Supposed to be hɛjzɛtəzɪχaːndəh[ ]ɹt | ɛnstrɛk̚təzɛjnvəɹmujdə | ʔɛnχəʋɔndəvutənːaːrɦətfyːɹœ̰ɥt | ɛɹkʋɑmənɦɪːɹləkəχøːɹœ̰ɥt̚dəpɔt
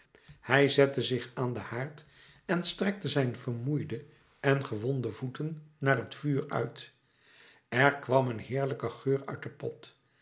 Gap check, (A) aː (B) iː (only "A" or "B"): A